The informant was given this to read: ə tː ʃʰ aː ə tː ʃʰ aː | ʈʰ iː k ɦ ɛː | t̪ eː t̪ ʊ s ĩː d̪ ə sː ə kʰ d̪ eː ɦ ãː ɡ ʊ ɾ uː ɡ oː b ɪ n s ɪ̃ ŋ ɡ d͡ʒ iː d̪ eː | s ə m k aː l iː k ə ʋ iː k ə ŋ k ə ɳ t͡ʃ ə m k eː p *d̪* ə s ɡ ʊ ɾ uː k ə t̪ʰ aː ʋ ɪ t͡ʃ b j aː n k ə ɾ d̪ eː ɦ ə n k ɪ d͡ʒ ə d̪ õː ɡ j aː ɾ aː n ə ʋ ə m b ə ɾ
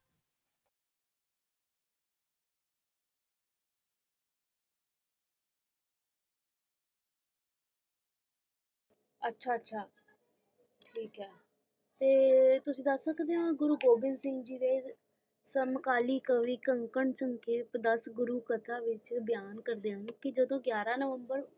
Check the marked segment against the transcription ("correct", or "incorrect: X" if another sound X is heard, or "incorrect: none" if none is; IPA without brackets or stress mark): correct